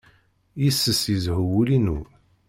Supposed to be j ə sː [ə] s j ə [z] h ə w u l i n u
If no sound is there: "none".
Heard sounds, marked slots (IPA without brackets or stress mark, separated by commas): ə, z